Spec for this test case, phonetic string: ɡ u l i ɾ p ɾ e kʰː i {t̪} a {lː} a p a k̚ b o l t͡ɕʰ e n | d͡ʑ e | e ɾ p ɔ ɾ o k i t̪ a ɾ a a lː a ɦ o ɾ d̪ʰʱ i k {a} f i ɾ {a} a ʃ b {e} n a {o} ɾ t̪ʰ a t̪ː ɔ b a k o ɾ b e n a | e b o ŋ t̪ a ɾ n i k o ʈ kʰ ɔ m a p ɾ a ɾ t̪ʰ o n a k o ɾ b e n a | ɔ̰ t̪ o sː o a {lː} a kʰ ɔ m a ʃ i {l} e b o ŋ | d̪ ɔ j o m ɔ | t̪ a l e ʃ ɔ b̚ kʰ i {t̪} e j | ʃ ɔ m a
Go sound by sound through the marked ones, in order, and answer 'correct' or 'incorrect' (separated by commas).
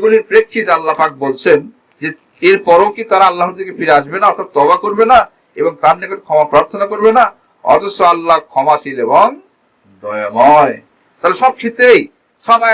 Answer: correct, correct, incorrect, incorrect, correct, incorrect, correct, correct, correct